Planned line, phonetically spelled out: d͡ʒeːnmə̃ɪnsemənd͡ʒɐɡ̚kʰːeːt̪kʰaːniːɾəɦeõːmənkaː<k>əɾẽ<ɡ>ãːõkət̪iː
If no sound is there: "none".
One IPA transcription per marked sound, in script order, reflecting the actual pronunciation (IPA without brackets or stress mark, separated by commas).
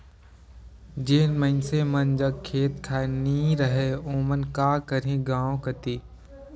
k, ɡ